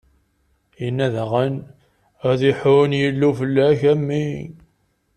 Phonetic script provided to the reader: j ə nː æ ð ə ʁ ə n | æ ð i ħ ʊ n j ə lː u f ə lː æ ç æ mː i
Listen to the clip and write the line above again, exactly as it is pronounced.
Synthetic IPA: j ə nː æ ð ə ʁ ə n | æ ð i ħ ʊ n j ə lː u f ə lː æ ç æ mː i